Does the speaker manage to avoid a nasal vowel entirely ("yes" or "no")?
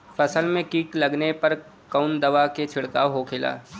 no